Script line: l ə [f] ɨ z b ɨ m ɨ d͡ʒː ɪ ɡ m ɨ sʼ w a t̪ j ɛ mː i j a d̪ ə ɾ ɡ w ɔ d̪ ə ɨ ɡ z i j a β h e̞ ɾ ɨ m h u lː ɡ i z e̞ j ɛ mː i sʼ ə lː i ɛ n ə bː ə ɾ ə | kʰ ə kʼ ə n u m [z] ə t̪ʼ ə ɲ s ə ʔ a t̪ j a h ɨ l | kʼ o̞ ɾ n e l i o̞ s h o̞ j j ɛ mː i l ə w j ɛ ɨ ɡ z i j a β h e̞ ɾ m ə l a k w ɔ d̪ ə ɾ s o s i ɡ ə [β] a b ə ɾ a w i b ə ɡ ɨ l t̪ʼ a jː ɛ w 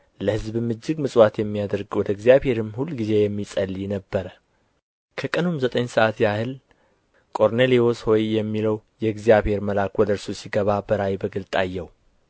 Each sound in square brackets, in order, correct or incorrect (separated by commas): incorrect, correct, correct